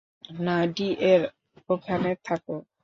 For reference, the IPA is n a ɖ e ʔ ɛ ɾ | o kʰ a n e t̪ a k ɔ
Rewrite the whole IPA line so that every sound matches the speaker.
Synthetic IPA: n a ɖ i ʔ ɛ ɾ | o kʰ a n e t̪ʰ a k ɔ